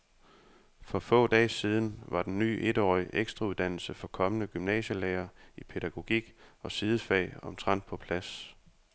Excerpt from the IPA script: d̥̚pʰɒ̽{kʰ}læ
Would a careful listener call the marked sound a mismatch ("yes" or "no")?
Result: yes